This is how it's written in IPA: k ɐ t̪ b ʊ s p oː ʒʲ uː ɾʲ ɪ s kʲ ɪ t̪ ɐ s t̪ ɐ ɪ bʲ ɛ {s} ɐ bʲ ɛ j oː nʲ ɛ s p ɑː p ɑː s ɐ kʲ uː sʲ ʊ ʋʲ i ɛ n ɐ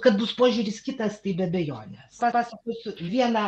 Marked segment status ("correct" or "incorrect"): incorrect